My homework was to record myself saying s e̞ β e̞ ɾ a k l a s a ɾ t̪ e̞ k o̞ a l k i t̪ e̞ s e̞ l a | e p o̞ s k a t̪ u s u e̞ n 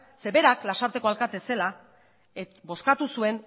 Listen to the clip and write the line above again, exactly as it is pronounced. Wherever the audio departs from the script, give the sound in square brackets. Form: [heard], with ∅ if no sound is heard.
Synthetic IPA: s e̞ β e̞ ɾ a k l a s a ɾ t̪ e̞ k o̞ a l k [a] t̪ e̞ s e̞ l a | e [b] o̞ s k a t̪ u s u e̞ n